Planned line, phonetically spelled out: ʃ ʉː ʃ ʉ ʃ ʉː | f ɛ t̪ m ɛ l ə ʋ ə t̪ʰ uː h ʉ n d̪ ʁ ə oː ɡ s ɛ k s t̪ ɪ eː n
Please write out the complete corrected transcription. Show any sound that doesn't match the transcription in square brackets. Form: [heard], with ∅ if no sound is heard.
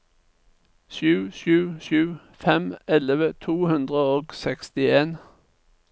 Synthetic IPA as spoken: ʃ ʉː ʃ [ʉː] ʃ ʉː | f ɛ [∅] m ɛ l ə ʋ ə t̪ʰ uː h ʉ n d̪ ʁ ə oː ɡ s ɛ k s t̪ ɪ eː n